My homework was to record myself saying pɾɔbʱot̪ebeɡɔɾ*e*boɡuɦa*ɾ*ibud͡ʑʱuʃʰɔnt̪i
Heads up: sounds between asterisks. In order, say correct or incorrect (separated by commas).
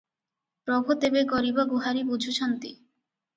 incorrect, correct